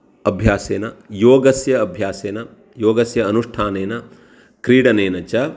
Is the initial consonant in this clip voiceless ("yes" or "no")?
no